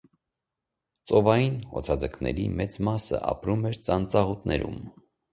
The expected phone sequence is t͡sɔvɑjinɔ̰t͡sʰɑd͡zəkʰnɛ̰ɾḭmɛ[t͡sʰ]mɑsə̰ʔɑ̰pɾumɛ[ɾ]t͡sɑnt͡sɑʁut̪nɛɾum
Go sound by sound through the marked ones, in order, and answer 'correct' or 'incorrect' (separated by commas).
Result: incorrect, correct